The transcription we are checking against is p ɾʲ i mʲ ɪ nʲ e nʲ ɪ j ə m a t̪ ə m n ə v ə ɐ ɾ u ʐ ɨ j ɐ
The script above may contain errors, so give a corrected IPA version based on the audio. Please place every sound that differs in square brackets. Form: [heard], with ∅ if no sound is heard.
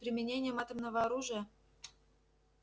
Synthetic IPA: p ɾʲ [ɪ] mʲ ɪ nʲ e nʲ ɪ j ə m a t̪ ə m n ə v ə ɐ ɾ u ʐ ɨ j [ə]